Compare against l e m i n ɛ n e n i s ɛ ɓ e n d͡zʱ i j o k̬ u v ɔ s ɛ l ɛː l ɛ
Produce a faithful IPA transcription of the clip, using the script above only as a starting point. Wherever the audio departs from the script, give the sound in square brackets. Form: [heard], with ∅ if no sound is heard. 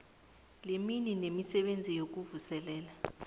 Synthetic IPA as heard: l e m i n [i] n e [m] i s ɛ ɓ e n d͡zʱ i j o k̬ u v [u] s ɛ l ɛː l [a]